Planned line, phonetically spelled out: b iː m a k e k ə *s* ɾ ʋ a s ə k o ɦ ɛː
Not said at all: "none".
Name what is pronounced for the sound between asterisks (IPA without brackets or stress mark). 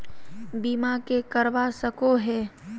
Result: none